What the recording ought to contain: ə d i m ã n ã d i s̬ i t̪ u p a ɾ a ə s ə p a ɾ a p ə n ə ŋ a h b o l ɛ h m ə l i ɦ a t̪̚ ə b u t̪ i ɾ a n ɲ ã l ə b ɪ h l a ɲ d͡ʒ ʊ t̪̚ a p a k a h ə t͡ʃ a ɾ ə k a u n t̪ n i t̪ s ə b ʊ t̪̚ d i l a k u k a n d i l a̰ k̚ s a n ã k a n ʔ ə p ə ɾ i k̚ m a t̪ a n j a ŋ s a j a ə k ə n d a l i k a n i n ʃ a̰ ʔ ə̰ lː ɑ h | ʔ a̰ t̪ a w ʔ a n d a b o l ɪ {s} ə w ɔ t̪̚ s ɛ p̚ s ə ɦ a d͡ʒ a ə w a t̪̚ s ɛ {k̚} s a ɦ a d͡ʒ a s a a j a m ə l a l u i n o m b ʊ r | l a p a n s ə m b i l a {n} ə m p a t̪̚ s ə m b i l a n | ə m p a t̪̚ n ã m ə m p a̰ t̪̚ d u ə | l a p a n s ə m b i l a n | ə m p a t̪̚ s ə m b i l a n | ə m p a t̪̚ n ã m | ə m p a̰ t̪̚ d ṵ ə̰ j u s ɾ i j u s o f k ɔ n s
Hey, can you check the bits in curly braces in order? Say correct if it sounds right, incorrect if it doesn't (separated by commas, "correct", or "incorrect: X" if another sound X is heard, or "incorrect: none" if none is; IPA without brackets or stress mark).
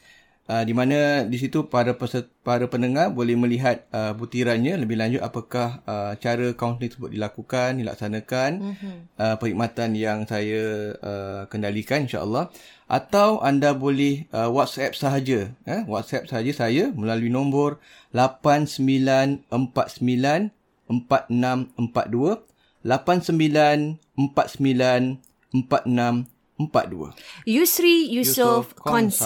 incorrect: h, incorrect: p̚, correct